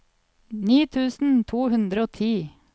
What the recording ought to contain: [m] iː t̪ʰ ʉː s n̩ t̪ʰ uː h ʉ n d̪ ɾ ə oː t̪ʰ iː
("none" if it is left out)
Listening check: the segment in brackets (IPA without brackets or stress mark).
n